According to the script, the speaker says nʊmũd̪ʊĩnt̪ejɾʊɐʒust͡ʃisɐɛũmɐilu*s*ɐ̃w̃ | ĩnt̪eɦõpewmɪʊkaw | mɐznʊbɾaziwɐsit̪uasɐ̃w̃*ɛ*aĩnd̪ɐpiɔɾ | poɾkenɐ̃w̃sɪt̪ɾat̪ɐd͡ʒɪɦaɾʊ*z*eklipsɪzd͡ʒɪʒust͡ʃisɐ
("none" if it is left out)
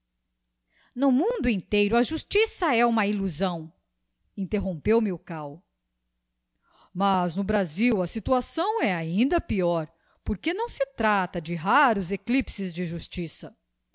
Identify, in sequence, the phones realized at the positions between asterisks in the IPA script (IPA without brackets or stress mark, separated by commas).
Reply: z, ɛ, z